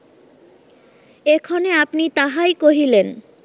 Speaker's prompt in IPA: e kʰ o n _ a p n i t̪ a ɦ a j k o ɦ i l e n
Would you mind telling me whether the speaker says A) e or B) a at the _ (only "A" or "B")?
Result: A